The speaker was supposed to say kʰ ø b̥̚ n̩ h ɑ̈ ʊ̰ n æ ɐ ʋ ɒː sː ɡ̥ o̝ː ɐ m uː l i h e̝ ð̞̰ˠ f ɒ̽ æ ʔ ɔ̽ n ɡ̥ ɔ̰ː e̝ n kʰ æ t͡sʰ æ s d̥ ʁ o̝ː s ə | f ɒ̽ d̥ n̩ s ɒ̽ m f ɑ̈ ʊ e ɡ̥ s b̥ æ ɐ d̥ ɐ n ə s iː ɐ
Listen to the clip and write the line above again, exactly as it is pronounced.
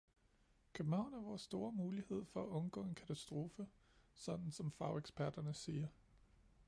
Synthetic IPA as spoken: kʰ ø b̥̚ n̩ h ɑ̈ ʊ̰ n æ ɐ ʋ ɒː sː d̥ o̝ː ɐ m uː l i h e̝ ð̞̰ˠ f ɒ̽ æ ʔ ɔ̽ n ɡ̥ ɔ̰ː e̝ n kʰ æ t͡sʰ æ s d̥ ʁ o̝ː f ə | s ɒ̽ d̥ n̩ s ɒ̽ m f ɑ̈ ʊ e ɡ̥ s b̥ æ ɐ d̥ ɐ n ə s iː ɐ